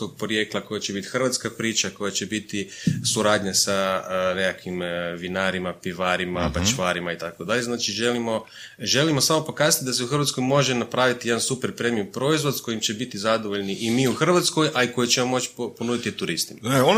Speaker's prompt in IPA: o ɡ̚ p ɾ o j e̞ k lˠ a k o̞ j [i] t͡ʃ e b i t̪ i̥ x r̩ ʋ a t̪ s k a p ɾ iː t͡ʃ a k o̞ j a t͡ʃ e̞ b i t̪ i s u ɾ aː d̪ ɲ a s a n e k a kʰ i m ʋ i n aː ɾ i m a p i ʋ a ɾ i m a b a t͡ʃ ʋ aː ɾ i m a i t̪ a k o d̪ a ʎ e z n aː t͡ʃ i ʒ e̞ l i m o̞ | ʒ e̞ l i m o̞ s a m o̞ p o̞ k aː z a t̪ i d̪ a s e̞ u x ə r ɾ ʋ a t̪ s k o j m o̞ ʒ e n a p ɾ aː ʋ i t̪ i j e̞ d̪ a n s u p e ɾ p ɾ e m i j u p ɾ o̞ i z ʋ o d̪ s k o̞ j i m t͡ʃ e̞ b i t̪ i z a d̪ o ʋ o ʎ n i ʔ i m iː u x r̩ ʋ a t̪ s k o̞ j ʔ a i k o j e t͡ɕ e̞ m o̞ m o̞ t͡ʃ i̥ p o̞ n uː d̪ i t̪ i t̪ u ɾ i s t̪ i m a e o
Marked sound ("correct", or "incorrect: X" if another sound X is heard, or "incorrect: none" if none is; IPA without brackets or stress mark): incorrect: a